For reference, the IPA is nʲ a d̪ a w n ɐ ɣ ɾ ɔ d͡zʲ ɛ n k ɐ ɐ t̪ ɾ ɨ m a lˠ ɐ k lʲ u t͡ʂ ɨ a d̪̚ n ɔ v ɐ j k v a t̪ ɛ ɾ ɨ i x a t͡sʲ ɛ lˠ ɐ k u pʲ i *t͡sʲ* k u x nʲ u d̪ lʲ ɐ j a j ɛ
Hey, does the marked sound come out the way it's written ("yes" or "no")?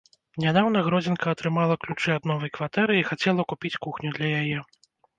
yes